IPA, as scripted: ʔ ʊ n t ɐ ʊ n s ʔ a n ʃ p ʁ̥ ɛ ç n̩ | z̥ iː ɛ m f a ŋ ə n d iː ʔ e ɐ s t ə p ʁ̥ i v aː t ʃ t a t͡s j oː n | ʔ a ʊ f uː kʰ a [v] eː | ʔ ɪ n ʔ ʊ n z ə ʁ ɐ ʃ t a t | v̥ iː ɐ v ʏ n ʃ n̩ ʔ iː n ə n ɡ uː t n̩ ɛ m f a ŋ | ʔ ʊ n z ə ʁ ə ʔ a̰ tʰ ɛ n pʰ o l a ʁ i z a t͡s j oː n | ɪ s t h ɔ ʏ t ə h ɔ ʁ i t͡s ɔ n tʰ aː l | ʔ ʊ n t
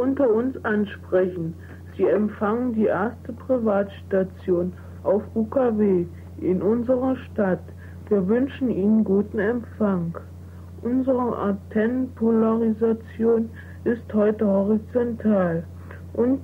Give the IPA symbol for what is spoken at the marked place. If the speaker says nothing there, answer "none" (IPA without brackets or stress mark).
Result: v